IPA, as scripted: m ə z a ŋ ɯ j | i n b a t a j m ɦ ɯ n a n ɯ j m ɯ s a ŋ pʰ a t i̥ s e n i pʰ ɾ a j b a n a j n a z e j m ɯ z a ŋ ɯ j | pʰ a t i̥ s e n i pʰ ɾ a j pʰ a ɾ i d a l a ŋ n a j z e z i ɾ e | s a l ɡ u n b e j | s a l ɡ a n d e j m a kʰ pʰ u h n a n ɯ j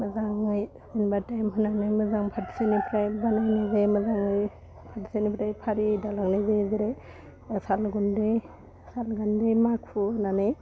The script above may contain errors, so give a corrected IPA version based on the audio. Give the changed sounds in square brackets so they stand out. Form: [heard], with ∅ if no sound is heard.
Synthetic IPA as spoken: m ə z a ŋ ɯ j | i n b a t a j m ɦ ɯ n a n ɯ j m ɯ [z] a ŋ pʰ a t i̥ s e n i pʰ ɾ a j b a n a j n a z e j m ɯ z a ŋ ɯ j | pʰ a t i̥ s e n i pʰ ɾ a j pʰ a ɾ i d a l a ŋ n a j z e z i ɾ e | s a l ɡ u n [d] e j | s a l ɡ a n d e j m a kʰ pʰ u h n a n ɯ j